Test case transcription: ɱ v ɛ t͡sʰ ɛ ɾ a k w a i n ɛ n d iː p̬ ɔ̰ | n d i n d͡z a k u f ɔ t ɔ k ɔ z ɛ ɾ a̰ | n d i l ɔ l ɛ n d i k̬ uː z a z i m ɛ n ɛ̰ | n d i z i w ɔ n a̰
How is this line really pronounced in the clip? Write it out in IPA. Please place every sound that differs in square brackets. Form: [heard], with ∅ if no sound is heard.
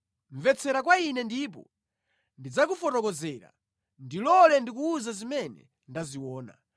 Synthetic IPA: ɱ v ɛ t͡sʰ ɛ ɾ a k w a i n ɛ n d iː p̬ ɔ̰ | n d i [∅] d͡z a k u f ɔ t ɔ k ɔ z ɛ ɾ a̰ | n d i l ɔ l ɛ n d i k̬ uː z a z i m ɛ n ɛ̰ | n d [a] z i w [ɔː] n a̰

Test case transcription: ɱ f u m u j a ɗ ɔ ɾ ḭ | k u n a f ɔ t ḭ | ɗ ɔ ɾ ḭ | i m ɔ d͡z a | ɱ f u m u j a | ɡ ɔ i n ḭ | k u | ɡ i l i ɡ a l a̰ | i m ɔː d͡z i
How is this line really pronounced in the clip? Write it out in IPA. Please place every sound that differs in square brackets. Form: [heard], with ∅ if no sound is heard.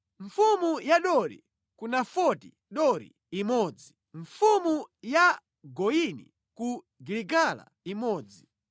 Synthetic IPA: ɱ f u m u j a ɗ ɔ ɾ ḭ | k u n a f ɔ t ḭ | ɗ ɔ ɾ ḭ | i m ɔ d͡z [i] | ɱ f u m u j a | ɡ ɔ i n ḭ | k u | ɡ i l i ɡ a l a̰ | i m ɔː d͡z i

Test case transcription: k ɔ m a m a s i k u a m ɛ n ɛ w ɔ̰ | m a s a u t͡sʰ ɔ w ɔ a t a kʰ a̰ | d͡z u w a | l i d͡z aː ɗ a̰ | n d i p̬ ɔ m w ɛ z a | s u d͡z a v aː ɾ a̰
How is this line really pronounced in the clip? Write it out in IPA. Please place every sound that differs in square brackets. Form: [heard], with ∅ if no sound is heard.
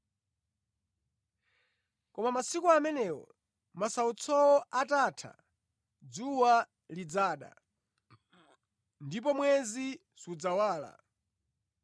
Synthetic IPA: k ɔ m a m a s i k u a m ɛ n ɛ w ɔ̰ | m a s a u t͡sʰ ɔ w ɔ a t a [tʰ] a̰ | d͡z u w a | l i d͡z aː ɗ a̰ | n d i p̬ ɔ m w ɛ z [i] | s u d͡z a [w] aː [l] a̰

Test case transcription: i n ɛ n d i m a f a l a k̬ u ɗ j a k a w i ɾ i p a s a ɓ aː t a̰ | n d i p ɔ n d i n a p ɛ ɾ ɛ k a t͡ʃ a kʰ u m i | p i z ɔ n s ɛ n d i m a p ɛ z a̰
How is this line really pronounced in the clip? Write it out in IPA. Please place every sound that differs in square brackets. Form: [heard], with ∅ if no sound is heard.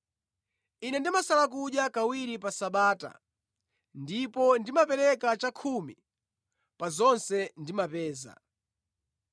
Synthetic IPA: i n ɛ n d i m a [s] a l a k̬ u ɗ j a k a w i ɾ i p a s a ɓ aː t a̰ | n d i p ɔ n d i [m] a p ɛ ɾ ɛ k a t͡ʃ a kʰ u m i | p [a] z ɔ n s ɛ n d i m a p [ɛː] z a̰

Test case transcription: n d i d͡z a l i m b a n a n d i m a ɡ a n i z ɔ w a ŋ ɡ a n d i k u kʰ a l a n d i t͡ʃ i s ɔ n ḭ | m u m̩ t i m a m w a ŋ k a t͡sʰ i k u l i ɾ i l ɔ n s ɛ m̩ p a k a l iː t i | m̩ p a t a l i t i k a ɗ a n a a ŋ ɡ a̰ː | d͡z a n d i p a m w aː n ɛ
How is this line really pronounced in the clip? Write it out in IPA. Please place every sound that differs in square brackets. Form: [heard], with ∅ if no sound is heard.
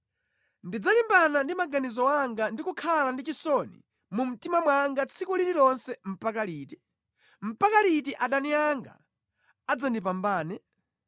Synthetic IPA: n d i d͡z a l i m b a n a n d i m a ɡ a n i z ɔ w a ŋ ɡ a n d i k u kʰ a l a n d i t͡ʃ i s ɔ n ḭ | m u m̩ t i m a m w a ŋ [ɡ] a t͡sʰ i k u l i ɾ i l ɔ n s ɛ m̩ p a k a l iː t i | m̩ p a [k] a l i t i [ʔ] a ɗ a n [i] a ŋ ɡ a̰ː | d͡z a n d i p a m [b] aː n ɛ

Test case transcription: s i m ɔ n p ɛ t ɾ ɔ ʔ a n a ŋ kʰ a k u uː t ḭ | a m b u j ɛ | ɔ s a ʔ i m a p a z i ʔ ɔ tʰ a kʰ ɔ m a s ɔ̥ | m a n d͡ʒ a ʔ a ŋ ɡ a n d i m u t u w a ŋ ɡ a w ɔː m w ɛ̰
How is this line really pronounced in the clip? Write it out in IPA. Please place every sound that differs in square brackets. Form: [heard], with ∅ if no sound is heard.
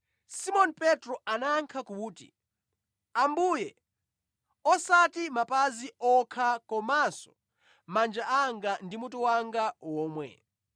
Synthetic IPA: s i m ɔ n p ɛ t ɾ ɔ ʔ a n a ŋ kʰ a k u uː t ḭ | a m b u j ɛ | ɔ s a [t] i m a p a z i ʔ ɔ [kʰ] a [k] ɔ m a s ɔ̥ | m a n d͡ʒ a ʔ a ŋ ɡ a n d i m u t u w a ŋ ɡ a w ɔː m w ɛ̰

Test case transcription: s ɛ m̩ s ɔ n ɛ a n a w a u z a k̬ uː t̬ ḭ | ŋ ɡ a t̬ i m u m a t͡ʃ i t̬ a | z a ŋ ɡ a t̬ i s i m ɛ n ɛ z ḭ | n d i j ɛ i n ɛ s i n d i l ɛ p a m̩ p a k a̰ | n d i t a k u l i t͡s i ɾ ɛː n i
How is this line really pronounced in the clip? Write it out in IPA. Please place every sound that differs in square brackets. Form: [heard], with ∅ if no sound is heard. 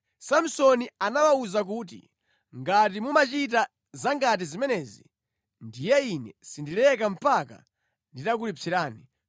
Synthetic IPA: s [a] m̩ s ɔ n [i] a n a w a u z a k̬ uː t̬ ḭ | ŋ ɡ a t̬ i m u m a t͡ʃ i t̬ a | z a ŋ ɡ a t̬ i [z] i m ɛ n ɛ z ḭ | n d i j ɛ i n ɛ s i n d i l ɛ [k] a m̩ p a k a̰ | n d i t a k u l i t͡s i ɾ [aː] n i

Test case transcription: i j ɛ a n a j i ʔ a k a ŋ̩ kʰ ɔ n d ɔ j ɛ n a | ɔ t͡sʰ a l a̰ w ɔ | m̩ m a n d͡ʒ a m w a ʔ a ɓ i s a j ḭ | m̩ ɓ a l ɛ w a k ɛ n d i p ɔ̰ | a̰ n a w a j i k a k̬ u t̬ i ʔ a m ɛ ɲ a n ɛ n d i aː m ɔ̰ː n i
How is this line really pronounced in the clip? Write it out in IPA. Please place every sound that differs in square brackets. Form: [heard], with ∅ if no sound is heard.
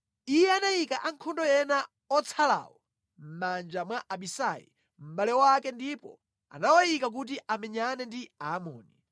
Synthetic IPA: i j ɛ a n a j i [k] a [ʔ] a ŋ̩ kʰ ɔ n d ɔ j ɛ n a | ɔ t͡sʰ a l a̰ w ɔ | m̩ m a n d͡ʒ a m w a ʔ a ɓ i s a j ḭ | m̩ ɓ a l ɛ w a k ɛ n d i p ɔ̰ | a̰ n a w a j i k a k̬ u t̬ i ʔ a m ɛ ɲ a n ɛ n d i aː m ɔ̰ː n i

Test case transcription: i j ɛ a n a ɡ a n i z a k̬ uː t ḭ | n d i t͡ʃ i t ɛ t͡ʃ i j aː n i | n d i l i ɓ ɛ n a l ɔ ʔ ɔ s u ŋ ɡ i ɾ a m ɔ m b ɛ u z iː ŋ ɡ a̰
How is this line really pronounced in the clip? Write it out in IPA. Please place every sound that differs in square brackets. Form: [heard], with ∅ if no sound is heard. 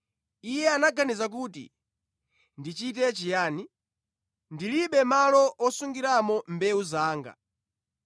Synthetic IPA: i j ɛ a n a ɡ a n i z a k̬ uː t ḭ | n d i t͡ʃ i t ɛ t͡ʃ i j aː n i | n d i l i ɓ ɛ [m] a l ɔ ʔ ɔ s u ŋ ɡ i ɾ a m ɔ m b ɛ u z [aː] ŋ ɡ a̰

